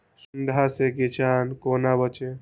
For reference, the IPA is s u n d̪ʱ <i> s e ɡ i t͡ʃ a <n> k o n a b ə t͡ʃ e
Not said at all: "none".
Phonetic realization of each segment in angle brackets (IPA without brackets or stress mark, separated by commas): a, n